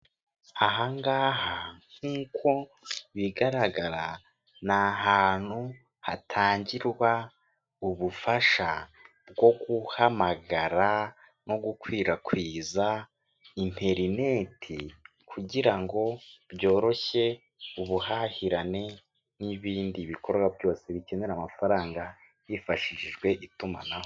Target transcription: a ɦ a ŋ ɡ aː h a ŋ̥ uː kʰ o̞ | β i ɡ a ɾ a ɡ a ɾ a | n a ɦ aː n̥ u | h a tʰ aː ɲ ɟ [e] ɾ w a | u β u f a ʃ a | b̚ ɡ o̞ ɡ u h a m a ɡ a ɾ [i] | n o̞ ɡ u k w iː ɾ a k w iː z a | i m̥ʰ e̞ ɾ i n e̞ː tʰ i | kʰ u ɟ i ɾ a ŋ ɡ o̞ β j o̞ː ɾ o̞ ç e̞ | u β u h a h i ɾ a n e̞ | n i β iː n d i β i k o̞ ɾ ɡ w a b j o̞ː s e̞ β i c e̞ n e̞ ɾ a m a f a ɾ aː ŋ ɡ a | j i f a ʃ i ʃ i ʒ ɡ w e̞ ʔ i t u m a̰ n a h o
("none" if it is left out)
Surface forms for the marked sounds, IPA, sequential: i, a

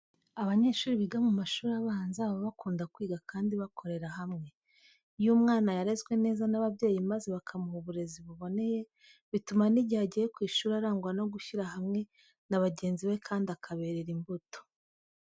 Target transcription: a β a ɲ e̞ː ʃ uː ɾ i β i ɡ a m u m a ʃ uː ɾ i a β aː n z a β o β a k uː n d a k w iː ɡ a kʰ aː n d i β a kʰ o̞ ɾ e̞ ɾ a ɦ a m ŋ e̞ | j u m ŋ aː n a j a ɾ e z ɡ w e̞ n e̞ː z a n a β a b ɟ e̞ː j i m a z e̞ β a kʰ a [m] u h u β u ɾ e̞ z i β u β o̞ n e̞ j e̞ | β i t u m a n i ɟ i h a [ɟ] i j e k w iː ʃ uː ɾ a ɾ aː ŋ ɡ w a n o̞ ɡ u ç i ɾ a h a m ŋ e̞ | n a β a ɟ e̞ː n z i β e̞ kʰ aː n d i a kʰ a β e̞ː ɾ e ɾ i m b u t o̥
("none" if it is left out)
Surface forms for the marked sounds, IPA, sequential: m, ɟ

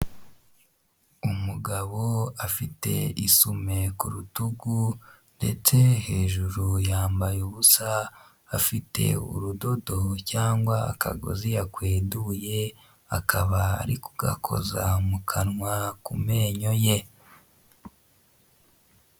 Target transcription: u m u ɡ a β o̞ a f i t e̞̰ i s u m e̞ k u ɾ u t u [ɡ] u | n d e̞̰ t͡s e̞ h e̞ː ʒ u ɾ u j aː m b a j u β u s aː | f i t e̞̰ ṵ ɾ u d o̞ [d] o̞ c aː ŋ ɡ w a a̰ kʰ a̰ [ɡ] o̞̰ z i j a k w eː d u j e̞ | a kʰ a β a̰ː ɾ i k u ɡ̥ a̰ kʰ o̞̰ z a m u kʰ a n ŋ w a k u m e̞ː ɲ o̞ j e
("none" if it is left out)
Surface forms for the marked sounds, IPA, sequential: ɡ, d, ɡ

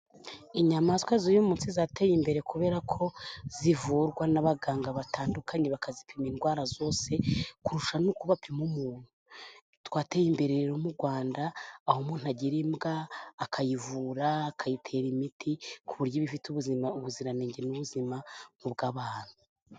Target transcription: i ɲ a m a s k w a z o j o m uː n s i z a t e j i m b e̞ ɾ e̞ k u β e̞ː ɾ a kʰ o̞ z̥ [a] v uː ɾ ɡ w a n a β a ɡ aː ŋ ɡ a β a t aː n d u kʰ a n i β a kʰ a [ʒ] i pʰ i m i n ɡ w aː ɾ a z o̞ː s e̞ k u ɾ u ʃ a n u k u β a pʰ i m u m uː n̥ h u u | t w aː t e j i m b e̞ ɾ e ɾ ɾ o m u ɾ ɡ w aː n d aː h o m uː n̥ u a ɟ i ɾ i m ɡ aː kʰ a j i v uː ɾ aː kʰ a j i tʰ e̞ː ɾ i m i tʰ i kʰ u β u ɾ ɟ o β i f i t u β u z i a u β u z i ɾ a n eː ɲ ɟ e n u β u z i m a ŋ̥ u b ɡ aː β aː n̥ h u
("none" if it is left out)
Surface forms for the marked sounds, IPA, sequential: i, z

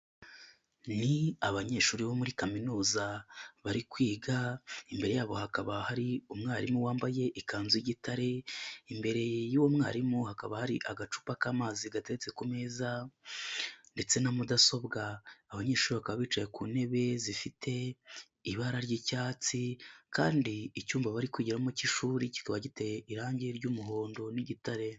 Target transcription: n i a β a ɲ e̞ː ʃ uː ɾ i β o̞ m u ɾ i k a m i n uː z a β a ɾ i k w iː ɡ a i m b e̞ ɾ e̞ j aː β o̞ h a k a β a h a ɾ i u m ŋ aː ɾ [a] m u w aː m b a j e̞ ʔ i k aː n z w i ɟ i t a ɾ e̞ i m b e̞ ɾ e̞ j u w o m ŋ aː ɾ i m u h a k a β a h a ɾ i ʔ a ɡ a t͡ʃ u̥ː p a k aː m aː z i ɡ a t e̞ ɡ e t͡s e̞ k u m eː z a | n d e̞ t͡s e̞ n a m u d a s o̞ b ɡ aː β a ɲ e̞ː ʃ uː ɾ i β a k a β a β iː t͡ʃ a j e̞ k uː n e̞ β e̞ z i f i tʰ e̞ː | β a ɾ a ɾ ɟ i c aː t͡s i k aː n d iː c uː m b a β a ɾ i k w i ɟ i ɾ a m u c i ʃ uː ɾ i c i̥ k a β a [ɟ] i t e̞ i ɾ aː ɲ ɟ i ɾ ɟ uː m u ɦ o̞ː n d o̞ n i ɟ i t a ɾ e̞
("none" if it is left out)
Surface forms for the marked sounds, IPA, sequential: i, ɟ

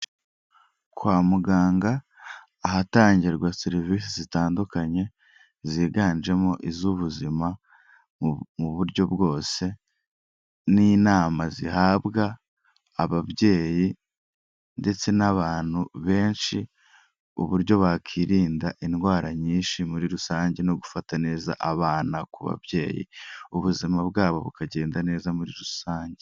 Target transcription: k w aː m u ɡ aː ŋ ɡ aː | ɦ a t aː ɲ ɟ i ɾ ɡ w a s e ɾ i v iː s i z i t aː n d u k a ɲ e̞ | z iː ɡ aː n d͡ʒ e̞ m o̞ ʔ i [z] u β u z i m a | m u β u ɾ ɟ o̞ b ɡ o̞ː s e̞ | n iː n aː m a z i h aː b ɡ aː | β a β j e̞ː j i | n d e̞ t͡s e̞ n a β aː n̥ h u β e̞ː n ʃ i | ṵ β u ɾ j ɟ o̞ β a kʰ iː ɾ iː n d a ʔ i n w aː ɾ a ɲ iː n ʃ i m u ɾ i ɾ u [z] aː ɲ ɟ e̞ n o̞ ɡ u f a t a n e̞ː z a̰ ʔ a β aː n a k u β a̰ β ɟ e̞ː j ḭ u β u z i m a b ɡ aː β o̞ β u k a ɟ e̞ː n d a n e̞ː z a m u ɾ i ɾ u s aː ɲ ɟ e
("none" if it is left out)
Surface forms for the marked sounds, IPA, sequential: z, s

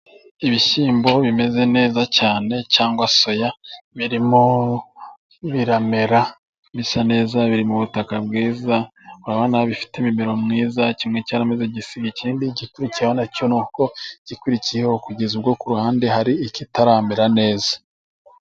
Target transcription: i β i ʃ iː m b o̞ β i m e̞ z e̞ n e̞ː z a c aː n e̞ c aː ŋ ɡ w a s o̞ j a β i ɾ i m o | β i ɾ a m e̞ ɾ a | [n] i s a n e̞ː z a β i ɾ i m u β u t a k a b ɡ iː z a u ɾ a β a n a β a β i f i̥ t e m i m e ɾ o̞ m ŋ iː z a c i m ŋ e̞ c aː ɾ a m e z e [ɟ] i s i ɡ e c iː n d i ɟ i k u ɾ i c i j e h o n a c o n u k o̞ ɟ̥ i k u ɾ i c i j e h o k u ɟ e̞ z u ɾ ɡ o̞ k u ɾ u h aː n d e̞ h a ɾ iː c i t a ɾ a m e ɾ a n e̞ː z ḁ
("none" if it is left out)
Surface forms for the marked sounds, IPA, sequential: m, ɟ

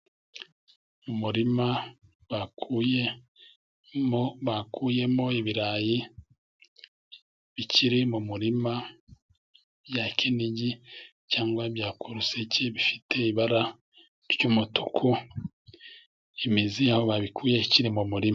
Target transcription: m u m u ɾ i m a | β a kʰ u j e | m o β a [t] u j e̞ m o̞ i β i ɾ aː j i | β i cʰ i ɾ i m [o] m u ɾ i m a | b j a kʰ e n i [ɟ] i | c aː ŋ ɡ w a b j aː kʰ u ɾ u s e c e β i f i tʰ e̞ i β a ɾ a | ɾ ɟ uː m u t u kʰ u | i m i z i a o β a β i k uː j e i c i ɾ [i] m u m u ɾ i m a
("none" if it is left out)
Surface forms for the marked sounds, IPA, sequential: k, u, ɟ, i

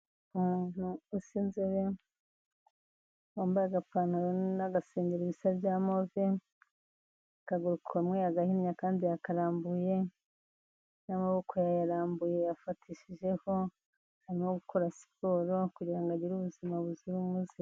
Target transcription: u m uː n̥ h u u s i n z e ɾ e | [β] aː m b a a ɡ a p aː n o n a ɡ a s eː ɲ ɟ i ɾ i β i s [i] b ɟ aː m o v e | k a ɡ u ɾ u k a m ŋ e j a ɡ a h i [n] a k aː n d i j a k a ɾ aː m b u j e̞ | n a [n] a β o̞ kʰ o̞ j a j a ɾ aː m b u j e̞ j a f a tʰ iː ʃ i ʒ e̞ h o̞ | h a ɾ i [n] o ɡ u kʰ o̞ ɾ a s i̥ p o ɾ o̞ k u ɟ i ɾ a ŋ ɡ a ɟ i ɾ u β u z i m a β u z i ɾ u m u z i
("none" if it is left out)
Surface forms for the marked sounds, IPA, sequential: w, a, ɲ, m, m

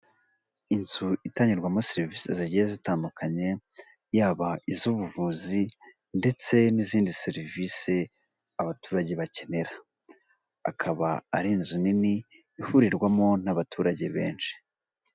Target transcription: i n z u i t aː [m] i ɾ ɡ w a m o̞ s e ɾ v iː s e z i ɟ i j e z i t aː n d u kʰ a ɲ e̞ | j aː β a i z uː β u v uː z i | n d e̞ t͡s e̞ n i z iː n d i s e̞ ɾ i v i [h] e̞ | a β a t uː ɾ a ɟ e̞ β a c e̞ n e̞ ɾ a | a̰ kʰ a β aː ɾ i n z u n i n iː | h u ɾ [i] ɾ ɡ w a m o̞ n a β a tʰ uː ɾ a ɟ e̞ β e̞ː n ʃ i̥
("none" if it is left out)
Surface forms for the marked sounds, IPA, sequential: ɲ, s, i

